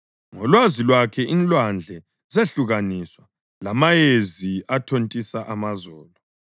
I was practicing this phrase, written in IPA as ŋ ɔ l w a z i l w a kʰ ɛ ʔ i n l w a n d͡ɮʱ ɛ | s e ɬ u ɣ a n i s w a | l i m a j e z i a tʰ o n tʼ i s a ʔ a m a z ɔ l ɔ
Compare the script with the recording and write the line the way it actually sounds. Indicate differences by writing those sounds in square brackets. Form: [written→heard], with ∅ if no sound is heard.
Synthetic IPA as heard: ŋ ɔ l w a z i l w a kʰ ɛ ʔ i n l w a n d͡ɮʱ ɛ | [s→z] e ɬ u ɣ a n i s w a | l [i→a] m a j e z i a tʰ o n tʼ i s a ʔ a m a z [ɔ→ɔː] l ɔ